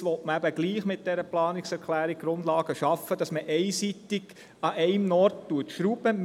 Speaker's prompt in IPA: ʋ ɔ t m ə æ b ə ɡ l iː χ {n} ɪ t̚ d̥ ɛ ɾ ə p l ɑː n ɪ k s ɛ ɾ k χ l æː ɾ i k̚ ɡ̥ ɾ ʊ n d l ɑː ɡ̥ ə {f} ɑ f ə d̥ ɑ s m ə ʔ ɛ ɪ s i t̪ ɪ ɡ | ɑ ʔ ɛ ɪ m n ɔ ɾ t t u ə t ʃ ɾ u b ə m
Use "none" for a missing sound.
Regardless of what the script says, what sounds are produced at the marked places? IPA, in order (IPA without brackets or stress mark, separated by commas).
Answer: m, ʃ